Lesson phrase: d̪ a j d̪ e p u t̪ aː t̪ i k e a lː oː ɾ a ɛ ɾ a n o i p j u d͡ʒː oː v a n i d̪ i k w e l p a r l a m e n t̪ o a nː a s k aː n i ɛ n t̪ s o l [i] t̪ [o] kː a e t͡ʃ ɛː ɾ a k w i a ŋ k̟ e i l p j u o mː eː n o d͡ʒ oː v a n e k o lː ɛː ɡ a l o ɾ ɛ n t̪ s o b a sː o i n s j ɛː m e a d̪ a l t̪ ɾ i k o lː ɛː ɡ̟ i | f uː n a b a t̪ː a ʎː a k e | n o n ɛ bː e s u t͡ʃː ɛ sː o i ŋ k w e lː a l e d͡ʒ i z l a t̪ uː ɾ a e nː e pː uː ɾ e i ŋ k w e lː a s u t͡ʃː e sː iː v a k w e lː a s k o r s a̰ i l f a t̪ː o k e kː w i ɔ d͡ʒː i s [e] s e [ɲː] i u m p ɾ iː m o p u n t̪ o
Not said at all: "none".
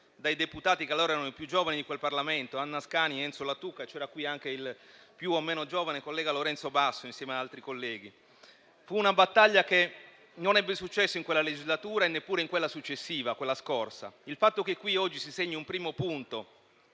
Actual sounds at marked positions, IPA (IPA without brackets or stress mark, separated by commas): a, u, i, ɲː